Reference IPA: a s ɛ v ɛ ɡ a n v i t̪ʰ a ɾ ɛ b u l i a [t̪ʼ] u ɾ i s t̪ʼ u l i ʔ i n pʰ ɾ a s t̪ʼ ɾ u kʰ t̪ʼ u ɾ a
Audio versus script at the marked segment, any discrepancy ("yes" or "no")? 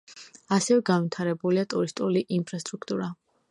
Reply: no